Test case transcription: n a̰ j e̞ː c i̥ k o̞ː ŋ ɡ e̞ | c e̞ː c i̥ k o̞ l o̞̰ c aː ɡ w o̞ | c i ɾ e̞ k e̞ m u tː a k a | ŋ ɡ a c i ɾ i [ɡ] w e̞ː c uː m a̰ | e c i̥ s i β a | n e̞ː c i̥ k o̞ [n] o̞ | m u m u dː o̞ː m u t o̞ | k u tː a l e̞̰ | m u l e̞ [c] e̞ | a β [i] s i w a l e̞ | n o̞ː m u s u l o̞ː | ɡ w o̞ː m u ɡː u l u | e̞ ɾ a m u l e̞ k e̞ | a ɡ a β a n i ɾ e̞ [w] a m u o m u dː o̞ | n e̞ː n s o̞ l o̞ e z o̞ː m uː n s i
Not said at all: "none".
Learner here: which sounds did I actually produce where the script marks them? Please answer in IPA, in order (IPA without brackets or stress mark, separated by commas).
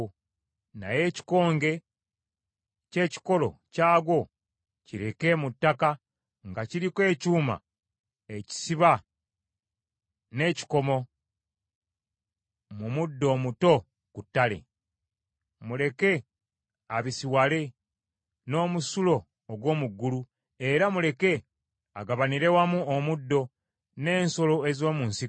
k, m, k, i, w